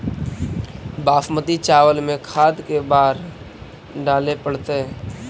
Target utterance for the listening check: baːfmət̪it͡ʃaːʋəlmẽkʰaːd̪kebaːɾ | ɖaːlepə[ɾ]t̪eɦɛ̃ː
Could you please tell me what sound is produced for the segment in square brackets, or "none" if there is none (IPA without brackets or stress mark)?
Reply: ɽ